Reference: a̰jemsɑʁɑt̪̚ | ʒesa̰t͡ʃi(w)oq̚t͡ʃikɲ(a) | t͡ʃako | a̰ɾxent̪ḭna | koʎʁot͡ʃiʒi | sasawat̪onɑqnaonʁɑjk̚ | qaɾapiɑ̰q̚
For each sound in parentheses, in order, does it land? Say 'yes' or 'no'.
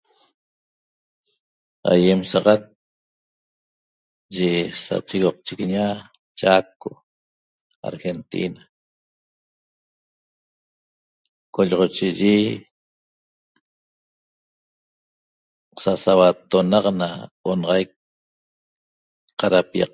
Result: no, yes

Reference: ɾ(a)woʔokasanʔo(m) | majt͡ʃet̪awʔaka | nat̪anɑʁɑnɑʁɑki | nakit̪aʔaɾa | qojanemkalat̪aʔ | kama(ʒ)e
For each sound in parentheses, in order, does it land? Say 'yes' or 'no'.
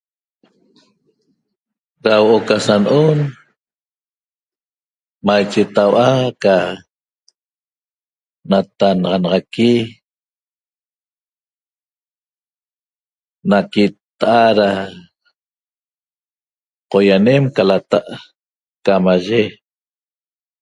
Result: yes, no, yes

